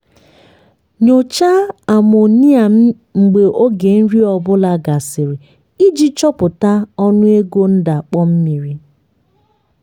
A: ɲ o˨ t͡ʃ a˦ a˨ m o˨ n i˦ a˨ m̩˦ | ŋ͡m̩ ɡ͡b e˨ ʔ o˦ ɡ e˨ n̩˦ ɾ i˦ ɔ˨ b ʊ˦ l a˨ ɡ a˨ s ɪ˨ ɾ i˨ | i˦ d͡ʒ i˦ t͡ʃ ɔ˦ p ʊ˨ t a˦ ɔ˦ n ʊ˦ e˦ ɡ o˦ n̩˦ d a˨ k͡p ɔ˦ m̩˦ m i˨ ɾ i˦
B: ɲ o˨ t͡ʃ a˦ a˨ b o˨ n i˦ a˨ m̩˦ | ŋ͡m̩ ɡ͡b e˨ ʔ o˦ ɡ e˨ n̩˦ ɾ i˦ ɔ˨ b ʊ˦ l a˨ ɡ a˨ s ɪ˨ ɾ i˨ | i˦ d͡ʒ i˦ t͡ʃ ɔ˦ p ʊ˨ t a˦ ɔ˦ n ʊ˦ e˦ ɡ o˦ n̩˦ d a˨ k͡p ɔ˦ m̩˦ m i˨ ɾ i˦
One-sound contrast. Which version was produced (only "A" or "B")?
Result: A